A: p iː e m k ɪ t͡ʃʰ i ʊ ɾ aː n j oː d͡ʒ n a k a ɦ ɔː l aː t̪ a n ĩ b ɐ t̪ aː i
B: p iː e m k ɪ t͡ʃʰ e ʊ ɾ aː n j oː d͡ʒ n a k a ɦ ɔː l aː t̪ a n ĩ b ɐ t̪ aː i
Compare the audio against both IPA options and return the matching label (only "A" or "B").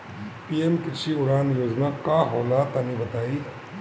A